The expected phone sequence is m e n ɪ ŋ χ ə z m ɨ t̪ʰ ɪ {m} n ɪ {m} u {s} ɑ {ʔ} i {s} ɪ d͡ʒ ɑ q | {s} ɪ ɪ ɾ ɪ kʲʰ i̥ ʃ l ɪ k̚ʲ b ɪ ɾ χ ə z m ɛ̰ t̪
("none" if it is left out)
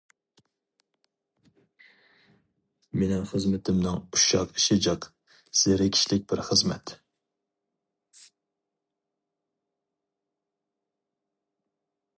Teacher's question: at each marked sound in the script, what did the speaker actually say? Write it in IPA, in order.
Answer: m, ŋ, ʃ, q, ʃ, s

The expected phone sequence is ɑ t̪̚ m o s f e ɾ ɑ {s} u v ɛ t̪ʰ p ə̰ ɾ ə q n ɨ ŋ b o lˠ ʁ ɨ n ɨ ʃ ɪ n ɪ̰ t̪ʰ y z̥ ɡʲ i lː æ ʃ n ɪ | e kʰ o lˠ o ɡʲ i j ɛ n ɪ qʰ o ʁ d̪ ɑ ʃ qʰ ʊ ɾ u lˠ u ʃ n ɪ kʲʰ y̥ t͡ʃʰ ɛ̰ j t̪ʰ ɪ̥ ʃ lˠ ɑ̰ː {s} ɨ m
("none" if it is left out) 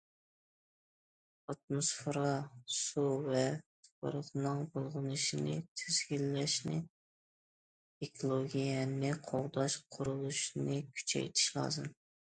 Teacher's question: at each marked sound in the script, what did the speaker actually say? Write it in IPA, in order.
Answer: s, z

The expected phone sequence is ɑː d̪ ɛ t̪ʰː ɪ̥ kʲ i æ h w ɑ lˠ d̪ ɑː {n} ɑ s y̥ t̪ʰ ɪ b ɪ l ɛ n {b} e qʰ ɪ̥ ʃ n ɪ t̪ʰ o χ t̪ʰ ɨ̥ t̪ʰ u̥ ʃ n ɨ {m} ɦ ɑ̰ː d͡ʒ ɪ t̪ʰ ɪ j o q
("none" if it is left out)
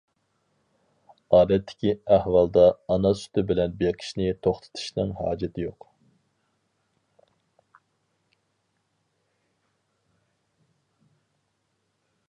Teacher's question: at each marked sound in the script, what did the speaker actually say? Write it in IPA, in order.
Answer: n, b, ŋ

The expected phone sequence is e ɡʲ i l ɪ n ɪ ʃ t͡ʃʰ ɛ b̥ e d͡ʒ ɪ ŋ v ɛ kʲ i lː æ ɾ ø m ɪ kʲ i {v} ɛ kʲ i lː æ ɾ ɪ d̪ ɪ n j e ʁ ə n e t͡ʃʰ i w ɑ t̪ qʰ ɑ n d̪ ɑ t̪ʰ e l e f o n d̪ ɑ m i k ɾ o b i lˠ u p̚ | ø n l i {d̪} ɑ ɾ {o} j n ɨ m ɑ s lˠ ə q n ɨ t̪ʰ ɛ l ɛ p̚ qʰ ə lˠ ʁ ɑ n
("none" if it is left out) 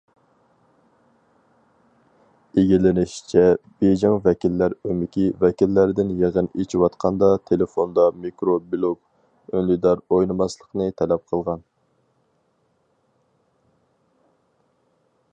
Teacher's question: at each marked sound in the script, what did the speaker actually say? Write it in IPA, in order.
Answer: v, d̪, o

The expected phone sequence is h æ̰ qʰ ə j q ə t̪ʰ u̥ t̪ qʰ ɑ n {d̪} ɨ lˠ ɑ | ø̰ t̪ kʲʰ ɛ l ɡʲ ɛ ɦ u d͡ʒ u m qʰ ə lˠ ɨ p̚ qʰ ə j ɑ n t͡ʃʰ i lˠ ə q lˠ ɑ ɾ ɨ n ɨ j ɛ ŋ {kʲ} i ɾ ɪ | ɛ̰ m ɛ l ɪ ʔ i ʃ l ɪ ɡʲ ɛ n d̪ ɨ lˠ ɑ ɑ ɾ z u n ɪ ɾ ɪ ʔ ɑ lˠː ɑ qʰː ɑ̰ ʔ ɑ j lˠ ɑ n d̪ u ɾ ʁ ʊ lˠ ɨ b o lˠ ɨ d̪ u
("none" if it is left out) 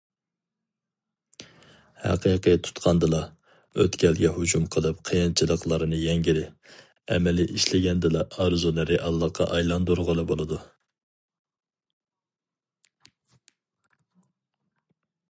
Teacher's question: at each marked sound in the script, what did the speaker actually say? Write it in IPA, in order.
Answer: d̪, ɡʲ

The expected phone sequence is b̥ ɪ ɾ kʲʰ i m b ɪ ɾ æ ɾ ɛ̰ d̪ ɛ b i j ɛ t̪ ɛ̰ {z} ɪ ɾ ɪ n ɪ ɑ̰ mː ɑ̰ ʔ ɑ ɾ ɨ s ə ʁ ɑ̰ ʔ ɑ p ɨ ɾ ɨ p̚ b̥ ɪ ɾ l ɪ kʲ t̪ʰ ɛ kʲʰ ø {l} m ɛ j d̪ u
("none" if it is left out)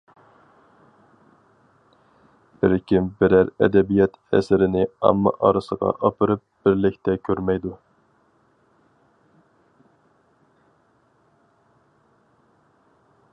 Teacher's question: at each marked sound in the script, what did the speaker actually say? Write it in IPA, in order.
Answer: s, ɾ

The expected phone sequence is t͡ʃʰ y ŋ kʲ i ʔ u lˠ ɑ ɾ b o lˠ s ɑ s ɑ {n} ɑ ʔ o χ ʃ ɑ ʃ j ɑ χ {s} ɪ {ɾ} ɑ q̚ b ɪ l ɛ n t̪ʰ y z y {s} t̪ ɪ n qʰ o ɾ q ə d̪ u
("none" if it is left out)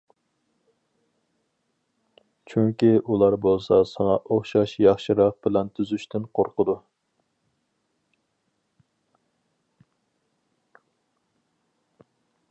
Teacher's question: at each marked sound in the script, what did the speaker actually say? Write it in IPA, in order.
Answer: ŋ, ʃ, ɾ, ʃ

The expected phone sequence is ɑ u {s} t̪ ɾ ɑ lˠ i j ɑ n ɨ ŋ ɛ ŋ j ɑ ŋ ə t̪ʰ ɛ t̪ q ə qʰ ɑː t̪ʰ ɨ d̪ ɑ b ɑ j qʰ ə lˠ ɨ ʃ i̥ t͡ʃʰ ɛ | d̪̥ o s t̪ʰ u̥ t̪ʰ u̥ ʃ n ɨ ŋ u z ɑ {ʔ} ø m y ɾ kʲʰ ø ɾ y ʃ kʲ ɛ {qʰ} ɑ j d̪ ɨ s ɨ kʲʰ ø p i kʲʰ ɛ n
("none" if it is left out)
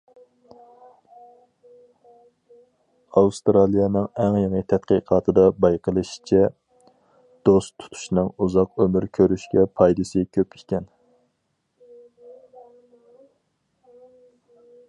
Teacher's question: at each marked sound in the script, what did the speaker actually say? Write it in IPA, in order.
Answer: s, q, pʰ

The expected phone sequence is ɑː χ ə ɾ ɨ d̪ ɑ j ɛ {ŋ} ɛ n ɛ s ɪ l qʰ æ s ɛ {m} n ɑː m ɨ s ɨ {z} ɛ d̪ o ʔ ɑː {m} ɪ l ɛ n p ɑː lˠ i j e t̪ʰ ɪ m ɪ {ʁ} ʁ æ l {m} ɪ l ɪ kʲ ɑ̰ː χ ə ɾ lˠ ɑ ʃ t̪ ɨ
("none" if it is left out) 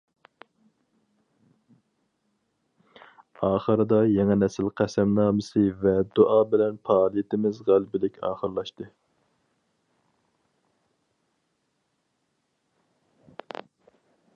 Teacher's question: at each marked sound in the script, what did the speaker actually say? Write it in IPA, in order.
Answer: ŋ, m, v, b, z, b

